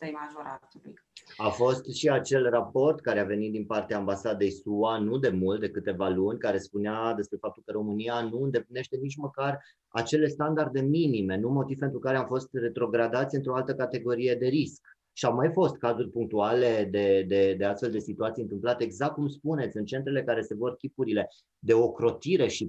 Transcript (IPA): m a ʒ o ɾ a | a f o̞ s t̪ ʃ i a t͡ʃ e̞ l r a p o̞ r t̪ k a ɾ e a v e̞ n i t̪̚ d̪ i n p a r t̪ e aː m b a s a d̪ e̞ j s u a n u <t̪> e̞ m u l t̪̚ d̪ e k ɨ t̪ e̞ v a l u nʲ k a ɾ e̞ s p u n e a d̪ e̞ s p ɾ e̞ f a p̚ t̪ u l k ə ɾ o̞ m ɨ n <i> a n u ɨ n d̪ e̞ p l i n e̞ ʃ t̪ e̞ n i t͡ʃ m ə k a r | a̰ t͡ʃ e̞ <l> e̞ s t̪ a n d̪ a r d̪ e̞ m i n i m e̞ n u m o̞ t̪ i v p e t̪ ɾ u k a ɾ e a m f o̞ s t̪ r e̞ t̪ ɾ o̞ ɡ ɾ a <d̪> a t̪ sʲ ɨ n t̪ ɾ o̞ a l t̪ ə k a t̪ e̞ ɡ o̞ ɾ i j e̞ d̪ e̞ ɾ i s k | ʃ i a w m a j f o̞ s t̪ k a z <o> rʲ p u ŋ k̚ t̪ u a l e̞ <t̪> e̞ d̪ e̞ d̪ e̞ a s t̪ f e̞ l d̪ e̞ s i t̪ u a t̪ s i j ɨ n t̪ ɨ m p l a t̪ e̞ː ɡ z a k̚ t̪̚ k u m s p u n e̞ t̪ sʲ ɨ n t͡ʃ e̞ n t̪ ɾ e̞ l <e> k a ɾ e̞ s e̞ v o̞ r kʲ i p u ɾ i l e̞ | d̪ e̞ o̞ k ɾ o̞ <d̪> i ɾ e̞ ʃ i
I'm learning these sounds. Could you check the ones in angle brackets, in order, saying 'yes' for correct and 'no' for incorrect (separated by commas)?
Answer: no, yes, yes, yes, no, no, yes, no